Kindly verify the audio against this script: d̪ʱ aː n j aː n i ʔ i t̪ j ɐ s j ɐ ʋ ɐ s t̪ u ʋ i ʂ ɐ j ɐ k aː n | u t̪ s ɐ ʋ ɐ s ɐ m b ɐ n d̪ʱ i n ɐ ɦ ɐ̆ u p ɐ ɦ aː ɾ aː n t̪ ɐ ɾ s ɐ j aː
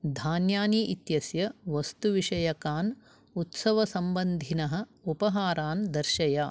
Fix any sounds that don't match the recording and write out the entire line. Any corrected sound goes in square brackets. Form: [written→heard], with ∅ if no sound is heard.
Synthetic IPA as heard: d̪ʱ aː n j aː n i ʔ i t̪ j ɐ s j ɐ ʋ ɐ s t̪ u ʋ i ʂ ɐ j ɐ k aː n | u t̪ s ɐ ʋ ɐ s ɐ m b ɐ n d̪ʱ i n ɐ ɦ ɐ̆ u p ɐ ɦ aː ɾ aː n [t̪→d̪] ɐ ɾ [s→ʃ] ɐ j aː